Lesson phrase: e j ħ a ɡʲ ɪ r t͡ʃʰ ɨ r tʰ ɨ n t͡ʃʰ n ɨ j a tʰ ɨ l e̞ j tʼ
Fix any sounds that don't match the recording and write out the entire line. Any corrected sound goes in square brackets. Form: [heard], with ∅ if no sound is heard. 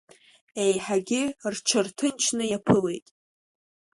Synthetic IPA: e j ħ a ɡʲ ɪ r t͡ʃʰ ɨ r tʰ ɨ n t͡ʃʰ n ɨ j a [pʰ] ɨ l e̞ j tʼ

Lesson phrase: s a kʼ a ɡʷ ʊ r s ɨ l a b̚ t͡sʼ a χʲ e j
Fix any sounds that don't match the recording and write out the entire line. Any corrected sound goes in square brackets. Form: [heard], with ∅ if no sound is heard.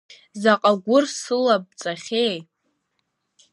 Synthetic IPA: [z] a [qʼ] a ɡʷ ʊ r s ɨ l a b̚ t͡sʼ a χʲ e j

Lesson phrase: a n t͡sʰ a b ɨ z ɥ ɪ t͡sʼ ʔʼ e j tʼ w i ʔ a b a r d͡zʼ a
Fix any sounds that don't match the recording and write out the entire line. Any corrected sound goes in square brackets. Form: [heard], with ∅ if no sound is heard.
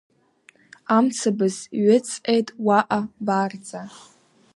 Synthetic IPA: a [m] t͡sʰ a b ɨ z ɥ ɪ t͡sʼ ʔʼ e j tʼ w [a] ʔ a b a r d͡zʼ a

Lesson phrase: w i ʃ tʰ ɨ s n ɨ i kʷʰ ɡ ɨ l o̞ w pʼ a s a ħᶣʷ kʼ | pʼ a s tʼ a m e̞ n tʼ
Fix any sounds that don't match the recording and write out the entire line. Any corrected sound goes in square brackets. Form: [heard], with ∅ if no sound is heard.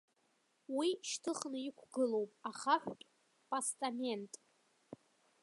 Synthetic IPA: w i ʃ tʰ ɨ [χ] n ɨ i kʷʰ ɡ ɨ l o̞ w pʼ a [χ] a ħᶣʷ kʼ | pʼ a s tʼ a m e̞ n tʼ

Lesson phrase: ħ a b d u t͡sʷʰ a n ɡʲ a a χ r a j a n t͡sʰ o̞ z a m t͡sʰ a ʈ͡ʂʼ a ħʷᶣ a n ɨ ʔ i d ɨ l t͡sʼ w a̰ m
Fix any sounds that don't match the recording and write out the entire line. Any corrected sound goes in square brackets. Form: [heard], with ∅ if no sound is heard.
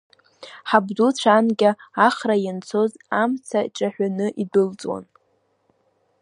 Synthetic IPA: ħ a b d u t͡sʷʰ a n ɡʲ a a χ r a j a n t͡sʰ o̞ z a m t͡sʰ a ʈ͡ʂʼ a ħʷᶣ a n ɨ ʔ i d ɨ l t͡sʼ w a̰ [n]

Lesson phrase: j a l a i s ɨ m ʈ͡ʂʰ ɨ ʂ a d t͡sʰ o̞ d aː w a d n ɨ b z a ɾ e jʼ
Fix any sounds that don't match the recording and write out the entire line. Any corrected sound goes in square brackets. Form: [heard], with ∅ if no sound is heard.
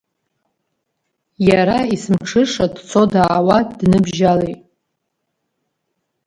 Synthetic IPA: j a [ɾ] a i s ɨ m ʈ͡ʂʰ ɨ ʂ a d t͡sʰ o̞ d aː w a d n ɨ b [ʒ] a [l] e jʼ

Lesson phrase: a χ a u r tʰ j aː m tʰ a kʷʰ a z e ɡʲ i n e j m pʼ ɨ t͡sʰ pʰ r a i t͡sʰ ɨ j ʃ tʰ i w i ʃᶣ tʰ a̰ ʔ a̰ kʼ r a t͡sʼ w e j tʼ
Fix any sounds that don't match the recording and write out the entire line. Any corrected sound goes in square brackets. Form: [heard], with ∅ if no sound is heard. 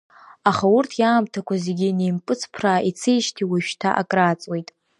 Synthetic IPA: a χ a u r tʰ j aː m tʰ a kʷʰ a z e ɡʲ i n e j m pʼ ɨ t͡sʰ pʰ r a i t͡sʰ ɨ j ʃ tʰ i w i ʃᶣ tʰ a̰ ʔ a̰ kʼ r a t͡sʼ w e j tʼ

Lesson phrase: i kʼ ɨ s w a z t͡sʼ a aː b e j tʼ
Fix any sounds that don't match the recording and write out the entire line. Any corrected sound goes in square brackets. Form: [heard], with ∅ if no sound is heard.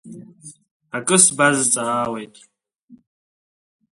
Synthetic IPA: [a] kʼ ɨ s [b] a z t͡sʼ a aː [w] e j tʼ

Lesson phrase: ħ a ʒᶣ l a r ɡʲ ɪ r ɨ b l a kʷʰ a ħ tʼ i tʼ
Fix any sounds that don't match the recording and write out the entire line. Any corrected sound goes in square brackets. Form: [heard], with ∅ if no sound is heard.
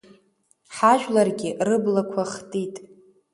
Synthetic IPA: ħ a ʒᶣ l a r ɡʲ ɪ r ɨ b l a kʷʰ a [χ] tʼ i tʼ

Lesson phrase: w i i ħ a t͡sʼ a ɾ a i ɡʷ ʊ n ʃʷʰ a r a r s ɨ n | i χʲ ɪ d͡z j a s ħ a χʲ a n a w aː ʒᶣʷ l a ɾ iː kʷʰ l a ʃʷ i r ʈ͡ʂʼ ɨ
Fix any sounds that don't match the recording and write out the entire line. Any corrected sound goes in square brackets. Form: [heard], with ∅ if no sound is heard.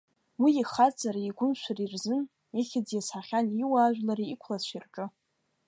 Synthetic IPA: w i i [χ] a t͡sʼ a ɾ a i ɡʷ ʊ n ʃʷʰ a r [i] r [z] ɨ n | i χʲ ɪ d͡z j a s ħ a χʲ a n [i] w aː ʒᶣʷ l a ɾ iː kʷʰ l a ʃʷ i r ʈ͡ʂʼ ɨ

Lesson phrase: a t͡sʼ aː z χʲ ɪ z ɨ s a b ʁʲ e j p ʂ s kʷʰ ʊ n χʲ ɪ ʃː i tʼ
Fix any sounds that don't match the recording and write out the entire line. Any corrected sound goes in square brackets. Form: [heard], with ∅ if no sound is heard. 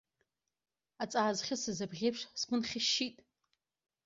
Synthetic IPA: a t͡sʼ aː z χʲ ɪ [s] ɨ [z] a b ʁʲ e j p ʂ s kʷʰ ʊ n χʲ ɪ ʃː i tʼ

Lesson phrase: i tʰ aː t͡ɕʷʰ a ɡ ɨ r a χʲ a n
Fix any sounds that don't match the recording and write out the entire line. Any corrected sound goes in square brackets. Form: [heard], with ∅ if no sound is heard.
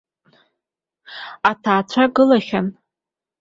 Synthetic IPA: [a] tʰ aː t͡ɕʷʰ a ɡ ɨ [l] a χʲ a n

